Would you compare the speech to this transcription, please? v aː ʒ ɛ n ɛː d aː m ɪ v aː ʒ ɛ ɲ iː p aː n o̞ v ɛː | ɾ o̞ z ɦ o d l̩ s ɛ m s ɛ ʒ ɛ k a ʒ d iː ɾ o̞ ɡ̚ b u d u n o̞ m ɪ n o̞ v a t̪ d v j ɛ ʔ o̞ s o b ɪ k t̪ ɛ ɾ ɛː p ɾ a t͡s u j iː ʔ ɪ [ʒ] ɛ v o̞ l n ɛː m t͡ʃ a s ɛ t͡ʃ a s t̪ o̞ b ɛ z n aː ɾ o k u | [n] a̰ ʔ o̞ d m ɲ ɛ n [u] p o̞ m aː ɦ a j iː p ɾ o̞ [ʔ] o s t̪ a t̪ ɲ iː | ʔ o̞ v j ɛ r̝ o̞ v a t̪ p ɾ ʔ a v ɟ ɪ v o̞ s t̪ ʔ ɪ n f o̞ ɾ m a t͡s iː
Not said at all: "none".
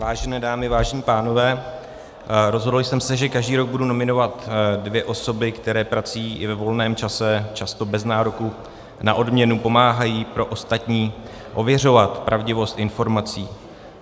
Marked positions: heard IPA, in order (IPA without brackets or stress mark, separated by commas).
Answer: v, n, u, ʔ